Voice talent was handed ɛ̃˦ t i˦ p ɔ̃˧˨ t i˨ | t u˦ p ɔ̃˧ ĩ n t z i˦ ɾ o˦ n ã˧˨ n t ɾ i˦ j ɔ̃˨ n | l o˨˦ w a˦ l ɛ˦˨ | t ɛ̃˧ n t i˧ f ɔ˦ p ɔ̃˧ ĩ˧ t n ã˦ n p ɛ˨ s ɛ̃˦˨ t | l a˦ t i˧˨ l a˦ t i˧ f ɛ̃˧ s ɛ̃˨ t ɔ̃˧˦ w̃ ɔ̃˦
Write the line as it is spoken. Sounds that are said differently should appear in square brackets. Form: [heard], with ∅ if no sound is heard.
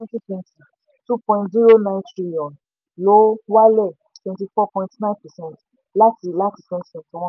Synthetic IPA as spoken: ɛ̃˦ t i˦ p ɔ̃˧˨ t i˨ | t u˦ p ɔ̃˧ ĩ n t z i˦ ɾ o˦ n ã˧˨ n t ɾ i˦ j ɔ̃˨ n | l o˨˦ w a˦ l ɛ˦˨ | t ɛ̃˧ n t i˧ f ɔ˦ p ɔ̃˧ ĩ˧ t n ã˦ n p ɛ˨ s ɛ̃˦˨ t | l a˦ t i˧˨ l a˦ t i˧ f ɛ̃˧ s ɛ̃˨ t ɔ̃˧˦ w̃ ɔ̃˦